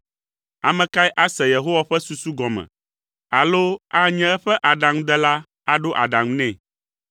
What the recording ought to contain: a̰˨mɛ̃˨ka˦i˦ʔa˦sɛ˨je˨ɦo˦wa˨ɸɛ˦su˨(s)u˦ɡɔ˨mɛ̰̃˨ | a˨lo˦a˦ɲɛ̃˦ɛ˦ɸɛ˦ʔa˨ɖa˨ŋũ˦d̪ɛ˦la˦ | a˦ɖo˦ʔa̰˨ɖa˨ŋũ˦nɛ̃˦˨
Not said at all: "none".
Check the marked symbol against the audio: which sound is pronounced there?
s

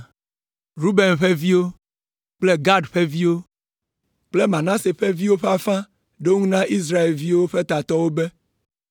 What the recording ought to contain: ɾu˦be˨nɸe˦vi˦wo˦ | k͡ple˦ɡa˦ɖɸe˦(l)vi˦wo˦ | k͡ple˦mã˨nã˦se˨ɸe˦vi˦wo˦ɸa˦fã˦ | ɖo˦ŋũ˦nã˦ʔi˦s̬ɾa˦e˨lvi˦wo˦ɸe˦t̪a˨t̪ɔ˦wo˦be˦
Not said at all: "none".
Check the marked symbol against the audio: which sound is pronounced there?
none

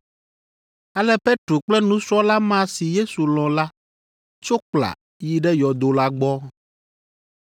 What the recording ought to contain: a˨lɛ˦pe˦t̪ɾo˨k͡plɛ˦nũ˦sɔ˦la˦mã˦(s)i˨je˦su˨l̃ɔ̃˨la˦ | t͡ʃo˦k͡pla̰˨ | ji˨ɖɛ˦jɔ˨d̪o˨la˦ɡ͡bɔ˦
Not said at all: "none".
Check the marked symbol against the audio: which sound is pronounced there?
s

